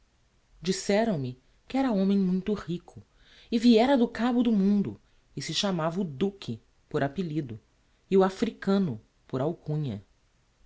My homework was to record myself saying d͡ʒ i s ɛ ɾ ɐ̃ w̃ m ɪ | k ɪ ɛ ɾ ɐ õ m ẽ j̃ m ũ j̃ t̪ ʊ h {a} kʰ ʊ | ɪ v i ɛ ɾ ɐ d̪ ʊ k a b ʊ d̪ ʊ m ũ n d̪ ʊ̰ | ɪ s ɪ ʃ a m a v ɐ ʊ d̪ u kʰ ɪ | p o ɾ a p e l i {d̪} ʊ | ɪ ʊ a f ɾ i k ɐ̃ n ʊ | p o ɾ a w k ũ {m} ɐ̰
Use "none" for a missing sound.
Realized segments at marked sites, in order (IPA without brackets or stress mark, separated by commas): i, d̪, ɲ